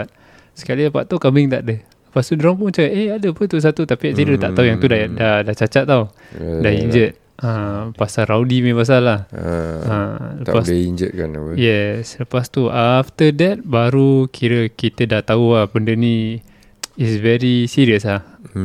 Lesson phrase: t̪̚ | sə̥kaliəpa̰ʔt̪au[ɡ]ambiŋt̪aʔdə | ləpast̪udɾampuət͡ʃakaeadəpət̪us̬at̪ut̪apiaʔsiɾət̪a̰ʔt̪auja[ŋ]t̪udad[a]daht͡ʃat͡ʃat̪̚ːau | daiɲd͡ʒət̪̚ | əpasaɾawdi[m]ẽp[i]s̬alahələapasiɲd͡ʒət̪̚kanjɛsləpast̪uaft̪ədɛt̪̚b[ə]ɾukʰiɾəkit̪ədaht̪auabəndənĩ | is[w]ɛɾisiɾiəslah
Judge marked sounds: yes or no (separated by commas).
no, yes, yes, yes, no, no, no